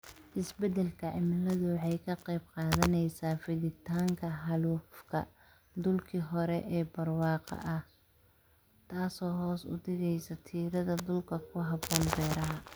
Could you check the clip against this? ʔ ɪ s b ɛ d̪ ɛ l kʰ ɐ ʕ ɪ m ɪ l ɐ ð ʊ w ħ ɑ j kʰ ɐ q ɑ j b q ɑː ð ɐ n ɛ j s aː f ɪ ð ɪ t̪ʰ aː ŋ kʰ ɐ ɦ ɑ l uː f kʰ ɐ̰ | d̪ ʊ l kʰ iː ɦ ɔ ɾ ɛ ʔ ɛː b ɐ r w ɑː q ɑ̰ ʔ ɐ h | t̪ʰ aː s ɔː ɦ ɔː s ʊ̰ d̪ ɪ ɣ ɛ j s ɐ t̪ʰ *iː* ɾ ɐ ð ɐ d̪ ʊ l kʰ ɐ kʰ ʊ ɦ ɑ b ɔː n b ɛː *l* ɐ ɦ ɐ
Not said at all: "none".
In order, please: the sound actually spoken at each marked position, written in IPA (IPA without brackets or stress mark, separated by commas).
iː, ɾ